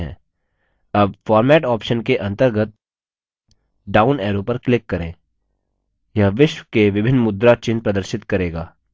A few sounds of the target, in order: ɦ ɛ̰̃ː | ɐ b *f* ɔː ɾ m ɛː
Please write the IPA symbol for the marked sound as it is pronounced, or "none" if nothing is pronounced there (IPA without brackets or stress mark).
f